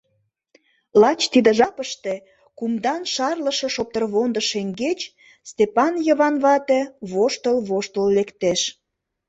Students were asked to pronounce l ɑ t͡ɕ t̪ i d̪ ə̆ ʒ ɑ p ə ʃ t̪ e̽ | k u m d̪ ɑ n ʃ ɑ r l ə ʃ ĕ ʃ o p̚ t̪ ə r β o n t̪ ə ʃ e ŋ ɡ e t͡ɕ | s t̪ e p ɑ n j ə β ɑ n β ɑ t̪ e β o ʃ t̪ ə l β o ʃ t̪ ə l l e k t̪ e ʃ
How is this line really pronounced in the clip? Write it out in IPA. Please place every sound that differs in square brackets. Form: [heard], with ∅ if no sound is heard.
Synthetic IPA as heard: l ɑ t͡ɕ t̪ i d̪ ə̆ ʒ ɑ p ə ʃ t̪ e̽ | k u m d̪ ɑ n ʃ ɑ r l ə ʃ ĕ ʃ o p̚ t̪ ə r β o n [d̪] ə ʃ e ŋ ɡ e t͡ɕ | s t̪ e p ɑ n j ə β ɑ n β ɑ t̪ e β o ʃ t̪ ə l β o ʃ t̪ ə l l e k t̪ e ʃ